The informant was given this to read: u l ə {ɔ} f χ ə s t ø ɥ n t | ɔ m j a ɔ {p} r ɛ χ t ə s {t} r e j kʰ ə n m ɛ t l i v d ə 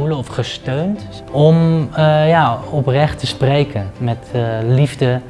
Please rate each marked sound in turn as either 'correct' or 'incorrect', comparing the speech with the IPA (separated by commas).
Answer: correct, correct, incorrect